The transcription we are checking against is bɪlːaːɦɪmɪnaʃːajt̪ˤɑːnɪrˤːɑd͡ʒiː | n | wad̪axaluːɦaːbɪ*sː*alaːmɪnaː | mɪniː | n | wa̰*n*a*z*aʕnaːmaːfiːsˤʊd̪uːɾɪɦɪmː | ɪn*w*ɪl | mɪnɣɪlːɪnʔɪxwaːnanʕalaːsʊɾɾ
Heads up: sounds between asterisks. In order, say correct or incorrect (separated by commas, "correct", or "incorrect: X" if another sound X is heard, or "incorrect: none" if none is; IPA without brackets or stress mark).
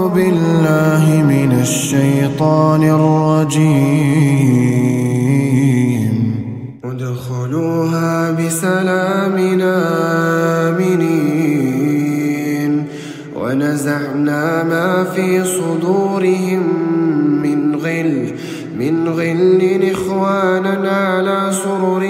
incorrect: s, correct, correct, incorrect: ɣ